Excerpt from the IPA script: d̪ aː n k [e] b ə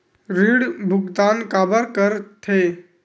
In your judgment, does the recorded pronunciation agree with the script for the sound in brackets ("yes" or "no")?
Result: no